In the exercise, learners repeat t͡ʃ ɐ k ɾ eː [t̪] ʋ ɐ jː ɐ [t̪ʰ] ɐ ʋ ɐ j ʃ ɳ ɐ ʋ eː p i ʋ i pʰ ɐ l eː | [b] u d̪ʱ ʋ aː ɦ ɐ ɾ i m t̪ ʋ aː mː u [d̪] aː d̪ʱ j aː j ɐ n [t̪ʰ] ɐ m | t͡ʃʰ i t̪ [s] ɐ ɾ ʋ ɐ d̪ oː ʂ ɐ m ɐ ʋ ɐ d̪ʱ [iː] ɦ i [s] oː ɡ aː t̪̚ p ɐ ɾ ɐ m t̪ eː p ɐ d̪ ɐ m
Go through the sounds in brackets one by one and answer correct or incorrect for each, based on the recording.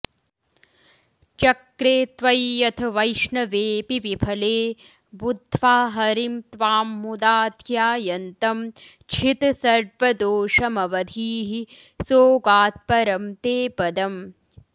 correct, correct, correct, correct, incorrect: t̪, correct, correct, correct

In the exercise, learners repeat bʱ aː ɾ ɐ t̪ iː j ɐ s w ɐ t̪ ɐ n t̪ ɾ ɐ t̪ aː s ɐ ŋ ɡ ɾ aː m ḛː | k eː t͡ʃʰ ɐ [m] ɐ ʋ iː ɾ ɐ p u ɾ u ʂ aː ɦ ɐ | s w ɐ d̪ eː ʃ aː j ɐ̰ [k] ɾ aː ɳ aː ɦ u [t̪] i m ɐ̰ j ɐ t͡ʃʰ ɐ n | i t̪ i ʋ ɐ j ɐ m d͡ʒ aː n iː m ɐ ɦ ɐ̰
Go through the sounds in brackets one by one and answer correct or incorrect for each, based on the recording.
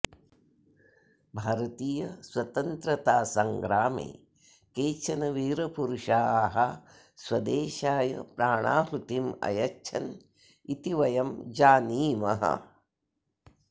incorrect: n, incorrect: p, correct

